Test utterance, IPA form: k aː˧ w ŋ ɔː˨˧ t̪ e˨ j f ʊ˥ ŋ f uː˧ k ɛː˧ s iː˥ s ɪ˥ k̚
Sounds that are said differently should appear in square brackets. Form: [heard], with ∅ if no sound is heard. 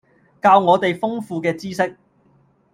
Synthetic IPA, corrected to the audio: k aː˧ w ŋ ɔː˨˧ t̪ e˨ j f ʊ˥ ŋ f uː˧ k ɛː˧ [t͡s] iː˥ s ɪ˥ k̚